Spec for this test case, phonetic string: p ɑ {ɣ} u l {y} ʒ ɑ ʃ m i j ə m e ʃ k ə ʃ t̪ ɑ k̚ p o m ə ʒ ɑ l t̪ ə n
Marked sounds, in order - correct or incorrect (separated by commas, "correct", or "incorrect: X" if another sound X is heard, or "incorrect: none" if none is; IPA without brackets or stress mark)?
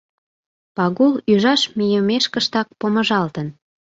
correct, correct